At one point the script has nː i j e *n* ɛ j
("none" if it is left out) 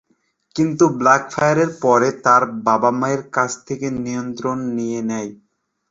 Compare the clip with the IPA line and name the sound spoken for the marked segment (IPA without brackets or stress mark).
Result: n